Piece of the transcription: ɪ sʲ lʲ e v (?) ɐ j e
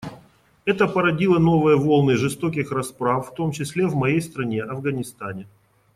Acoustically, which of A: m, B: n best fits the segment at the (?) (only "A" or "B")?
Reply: A